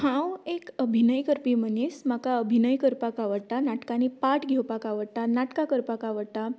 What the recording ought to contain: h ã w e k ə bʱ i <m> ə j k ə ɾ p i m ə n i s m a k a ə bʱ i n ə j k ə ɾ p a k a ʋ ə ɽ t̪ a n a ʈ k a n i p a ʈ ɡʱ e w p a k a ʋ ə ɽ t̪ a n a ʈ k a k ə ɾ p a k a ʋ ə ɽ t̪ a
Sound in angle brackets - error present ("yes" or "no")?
yes